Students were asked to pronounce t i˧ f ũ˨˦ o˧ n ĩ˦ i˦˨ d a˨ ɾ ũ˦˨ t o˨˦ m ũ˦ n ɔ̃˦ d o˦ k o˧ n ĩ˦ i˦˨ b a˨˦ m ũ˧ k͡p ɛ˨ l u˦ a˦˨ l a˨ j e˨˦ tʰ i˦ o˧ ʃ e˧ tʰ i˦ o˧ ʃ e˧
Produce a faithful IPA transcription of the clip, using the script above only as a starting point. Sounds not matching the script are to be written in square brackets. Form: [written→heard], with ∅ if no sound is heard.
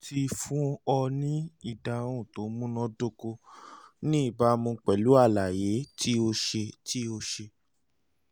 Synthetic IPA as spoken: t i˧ f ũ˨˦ [o˧→ɔ˧] n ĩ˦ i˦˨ d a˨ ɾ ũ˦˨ t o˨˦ m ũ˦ n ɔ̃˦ d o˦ k o˧ n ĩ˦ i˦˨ b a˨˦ m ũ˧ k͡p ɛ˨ l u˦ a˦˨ l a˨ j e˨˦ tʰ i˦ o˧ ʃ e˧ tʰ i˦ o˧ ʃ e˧